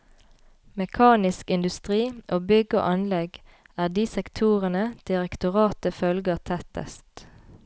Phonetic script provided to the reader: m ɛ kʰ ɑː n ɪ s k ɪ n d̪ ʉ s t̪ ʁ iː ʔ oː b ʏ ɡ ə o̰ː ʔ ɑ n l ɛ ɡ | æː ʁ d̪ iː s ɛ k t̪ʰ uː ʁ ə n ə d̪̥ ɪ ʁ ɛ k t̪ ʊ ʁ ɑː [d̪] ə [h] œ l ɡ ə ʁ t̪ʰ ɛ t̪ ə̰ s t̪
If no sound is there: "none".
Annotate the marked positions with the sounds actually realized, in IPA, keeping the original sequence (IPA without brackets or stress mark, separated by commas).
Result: t̪, f